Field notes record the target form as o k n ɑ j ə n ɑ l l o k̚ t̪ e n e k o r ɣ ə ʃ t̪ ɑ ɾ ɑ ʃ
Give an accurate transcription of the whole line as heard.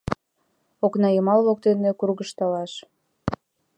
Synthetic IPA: o k n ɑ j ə m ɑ l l o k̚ t̪ e n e k u r ɣ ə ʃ t̪ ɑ l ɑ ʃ